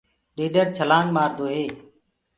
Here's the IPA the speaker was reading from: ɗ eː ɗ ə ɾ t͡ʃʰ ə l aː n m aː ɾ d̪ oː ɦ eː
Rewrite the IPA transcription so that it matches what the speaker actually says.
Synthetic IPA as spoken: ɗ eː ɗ ə ɾ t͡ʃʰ ə l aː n m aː ɾ d̪ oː ɦ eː